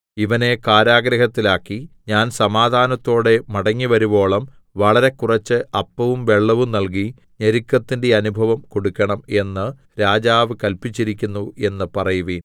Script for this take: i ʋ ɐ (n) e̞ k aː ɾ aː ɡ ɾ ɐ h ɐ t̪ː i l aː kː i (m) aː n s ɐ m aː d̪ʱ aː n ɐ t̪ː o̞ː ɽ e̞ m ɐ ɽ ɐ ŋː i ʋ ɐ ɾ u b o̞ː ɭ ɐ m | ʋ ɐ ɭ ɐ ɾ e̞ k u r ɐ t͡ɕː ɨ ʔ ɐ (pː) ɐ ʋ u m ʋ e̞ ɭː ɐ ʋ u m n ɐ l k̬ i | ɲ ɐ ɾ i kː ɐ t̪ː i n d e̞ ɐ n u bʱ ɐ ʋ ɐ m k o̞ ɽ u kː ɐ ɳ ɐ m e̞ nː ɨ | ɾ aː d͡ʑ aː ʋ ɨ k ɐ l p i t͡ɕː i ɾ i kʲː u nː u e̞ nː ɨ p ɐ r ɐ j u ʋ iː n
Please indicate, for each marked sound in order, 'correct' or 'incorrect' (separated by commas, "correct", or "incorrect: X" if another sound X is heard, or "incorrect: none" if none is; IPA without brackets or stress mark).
correct, incorrect: ɲ, correct